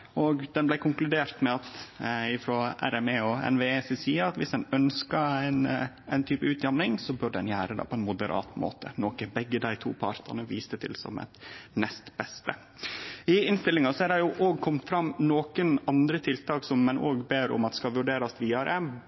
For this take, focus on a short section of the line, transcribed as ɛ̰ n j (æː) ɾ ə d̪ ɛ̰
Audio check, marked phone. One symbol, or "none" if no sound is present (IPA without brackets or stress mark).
æː